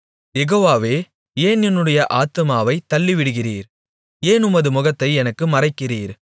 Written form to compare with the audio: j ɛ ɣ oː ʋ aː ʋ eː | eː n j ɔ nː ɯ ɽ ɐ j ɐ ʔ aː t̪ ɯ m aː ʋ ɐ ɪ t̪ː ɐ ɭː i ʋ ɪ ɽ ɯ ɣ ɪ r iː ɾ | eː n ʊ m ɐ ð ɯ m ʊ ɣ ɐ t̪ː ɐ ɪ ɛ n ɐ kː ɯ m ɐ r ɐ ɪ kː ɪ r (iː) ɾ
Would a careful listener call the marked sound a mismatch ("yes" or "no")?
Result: no